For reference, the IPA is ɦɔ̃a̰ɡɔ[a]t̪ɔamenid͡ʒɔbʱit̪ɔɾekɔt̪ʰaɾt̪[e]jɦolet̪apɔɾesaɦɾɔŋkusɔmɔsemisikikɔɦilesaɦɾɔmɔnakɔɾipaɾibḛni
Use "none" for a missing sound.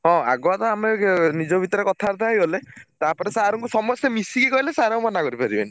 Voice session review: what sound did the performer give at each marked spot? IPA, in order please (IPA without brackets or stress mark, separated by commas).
a, a